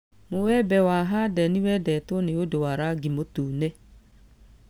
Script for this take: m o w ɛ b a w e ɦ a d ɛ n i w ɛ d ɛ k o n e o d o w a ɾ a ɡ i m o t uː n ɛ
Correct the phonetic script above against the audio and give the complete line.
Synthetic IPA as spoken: m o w ɛ b ɛ w a ɦ a d ɛ n i w ɛ d ɛ t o n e o d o w a ɾ a ɡ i m o t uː n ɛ